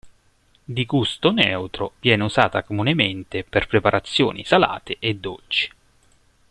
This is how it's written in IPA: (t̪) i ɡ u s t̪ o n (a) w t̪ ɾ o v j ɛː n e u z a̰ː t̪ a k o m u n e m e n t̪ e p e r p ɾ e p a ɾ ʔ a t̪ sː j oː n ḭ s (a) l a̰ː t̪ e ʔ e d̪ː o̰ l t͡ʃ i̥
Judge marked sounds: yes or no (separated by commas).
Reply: no, no, yes